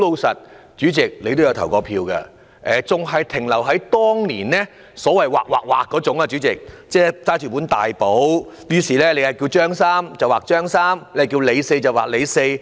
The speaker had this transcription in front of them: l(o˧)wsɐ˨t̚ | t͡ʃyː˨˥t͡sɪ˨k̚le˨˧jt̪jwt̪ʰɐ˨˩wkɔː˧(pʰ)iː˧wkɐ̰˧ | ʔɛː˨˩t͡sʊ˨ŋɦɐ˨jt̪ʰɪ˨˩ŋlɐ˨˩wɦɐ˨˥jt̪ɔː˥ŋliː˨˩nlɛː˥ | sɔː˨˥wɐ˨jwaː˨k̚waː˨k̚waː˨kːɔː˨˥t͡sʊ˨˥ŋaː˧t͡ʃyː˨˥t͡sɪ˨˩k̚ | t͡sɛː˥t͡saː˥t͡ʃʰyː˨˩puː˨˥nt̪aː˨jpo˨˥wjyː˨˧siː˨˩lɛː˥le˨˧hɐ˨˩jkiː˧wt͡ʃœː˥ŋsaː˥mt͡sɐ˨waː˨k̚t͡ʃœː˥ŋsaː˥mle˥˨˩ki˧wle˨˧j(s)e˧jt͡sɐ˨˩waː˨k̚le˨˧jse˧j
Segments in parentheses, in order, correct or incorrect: correct, correct, correct

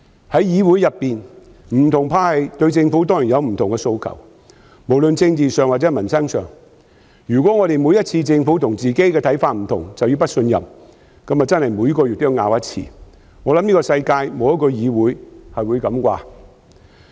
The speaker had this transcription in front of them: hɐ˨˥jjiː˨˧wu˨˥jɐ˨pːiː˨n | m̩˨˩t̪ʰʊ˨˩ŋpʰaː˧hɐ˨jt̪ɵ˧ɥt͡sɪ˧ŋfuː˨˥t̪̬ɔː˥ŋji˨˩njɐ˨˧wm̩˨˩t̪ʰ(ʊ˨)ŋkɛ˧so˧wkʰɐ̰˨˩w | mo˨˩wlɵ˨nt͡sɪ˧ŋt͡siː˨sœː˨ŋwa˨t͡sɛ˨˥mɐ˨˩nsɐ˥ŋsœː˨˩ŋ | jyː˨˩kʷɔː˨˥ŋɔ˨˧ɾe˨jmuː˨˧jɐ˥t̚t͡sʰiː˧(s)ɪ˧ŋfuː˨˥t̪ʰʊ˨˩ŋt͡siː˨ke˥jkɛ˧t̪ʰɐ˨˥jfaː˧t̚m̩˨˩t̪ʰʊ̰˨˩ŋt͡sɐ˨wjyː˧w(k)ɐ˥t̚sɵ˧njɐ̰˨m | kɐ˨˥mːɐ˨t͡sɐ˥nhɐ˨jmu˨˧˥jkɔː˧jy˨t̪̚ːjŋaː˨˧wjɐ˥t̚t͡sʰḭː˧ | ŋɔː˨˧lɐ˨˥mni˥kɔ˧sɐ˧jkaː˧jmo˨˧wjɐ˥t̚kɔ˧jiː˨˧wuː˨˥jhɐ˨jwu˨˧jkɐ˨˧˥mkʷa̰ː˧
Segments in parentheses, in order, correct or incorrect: correct, incorrect: t͡s, incorrect: p

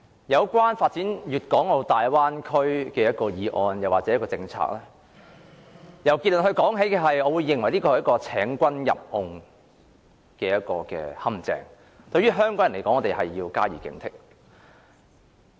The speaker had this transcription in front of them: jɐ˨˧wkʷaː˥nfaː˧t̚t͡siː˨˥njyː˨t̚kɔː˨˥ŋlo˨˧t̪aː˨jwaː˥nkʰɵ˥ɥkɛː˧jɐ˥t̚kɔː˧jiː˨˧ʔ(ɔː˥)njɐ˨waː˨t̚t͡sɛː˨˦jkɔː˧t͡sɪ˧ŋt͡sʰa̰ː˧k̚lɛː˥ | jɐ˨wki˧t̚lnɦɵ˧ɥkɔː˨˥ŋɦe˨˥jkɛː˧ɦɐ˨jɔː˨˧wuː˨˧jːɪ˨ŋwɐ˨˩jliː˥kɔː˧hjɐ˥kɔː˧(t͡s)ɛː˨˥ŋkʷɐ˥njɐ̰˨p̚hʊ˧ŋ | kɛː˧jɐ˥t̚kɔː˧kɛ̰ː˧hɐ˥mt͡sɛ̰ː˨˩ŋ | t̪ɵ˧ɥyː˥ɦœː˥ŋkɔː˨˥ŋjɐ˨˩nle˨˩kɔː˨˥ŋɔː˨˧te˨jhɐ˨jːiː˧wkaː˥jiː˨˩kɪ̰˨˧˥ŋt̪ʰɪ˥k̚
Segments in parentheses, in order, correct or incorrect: incorrect: ɔː˧, incorrect: t͡sʰ

